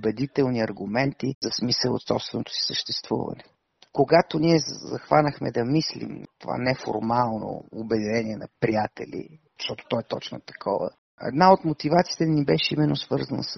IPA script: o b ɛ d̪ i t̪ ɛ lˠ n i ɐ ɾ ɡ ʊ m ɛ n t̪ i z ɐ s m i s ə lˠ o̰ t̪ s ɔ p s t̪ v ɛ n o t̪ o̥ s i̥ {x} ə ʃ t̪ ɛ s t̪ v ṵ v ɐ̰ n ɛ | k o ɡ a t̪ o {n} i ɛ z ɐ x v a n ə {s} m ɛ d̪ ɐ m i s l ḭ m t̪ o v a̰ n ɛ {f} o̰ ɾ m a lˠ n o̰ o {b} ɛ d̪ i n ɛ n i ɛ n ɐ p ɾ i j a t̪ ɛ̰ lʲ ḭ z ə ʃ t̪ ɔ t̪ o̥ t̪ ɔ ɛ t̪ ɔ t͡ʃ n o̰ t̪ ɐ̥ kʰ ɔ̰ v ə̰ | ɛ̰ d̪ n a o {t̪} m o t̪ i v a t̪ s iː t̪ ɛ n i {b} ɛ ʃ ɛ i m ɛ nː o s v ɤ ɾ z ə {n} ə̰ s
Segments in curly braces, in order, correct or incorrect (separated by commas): incorrect, correct, incorrect, correct, correct, correct, correct, correct